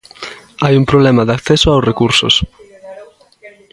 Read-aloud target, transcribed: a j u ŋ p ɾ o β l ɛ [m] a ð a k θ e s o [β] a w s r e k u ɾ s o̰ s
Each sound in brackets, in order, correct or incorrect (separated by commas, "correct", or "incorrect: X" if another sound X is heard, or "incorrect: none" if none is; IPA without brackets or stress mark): correct, incorrect: none